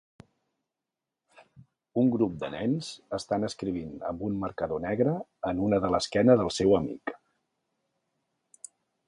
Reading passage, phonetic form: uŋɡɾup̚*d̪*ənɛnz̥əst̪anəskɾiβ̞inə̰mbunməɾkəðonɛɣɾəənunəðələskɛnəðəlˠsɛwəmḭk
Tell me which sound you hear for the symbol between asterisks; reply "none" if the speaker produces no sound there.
d̪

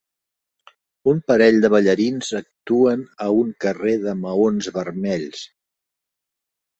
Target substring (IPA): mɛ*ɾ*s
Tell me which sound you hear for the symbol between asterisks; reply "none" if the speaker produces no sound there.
ʎ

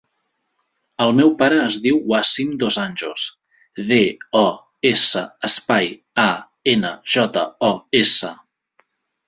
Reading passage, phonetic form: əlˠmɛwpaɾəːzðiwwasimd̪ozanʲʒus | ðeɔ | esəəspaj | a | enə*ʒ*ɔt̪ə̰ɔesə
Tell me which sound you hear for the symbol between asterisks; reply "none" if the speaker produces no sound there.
ʒ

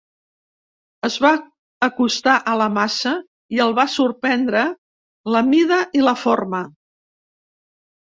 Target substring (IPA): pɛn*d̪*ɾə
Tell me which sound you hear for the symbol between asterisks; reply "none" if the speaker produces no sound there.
d̪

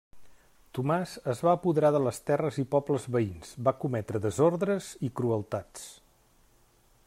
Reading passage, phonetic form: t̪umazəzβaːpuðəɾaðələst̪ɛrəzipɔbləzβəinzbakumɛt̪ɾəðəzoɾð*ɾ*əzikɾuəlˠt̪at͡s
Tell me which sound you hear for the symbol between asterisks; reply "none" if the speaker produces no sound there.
ɾ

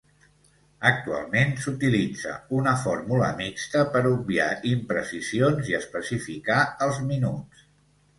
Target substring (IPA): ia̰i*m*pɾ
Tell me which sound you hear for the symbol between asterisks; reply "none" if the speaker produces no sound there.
m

